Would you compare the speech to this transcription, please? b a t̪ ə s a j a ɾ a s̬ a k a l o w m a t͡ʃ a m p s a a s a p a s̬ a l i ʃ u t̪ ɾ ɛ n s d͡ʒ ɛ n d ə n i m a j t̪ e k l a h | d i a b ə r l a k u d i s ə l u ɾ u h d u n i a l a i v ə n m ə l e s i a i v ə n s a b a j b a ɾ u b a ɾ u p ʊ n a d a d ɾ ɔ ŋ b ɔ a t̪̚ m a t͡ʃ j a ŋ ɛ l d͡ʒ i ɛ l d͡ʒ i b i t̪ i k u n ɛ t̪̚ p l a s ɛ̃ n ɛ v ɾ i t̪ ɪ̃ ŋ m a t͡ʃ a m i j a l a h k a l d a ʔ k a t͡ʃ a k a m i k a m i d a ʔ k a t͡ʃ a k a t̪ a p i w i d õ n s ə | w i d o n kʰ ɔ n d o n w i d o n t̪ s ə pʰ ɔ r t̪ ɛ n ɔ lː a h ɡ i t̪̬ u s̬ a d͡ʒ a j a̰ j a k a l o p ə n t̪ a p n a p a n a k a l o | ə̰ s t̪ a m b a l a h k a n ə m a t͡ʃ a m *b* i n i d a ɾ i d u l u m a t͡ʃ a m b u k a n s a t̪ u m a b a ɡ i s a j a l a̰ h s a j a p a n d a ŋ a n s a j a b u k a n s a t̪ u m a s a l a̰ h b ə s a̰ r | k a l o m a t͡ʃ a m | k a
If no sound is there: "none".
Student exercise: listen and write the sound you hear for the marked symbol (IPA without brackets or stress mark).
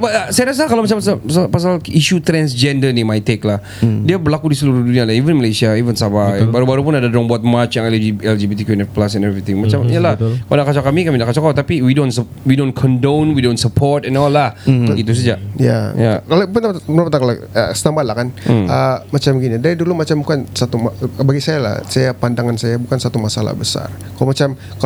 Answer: ɡ